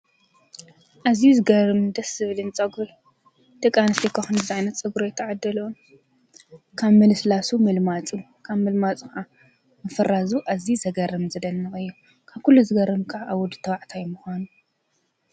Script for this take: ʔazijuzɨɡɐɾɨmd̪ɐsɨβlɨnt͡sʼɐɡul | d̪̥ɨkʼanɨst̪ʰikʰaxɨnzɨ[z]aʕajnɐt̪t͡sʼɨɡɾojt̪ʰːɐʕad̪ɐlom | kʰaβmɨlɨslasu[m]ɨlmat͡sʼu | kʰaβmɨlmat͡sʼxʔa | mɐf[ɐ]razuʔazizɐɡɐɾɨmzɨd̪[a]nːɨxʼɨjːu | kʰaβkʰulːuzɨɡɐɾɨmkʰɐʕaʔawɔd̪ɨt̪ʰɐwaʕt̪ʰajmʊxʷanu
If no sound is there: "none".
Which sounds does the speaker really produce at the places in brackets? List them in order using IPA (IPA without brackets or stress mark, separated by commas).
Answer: z, m, ɐ, ɐ